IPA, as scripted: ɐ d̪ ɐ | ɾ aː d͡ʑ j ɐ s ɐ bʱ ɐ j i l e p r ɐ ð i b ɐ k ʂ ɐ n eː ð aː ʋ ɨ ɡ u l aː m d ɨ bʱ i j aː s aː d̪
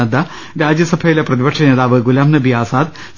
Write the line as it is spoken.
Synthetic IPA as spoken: ɐ d̪ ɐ | ɾ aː d͡ʑ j ɐ s ɐ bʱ ɐ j i l e p r ɐ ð i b ɐ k ʂ ɐ n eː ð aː ʋ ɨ ɡ u l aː m n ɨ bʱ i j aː s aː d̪